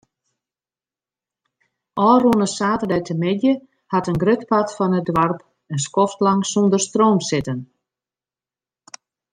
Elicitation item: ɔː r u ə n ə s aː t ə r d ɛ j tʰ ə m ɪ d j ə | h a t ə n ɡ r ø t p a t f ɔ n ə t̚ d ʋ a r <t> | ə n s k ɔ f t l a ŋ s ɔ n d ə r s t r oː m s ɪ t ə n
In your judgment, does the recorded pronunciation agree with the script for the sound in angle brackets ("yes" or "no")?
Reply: no